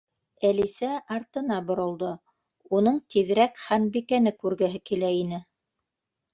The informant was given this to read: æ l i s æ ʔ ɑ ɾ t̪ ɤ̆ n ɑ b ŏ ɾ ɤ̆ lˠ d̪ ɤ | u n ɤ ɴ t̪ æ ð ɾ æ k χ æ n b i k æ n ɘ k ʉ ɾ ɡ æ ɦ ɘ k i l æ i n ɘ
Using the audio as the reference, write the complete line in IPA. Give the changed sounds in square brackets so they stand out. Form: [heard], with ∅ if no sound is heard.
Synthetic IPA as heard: æ l i s æ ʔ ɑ ɾ t̪ ɤ̆ n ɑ b ŏ ɾ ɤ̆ lˠ d̪ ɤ | u n ɤ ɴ t̪ [i] ð ɾ æ k χ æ n b i k æ n ɘ k ʉ ɾ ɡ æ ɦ ɘ k i l æ i n ɘ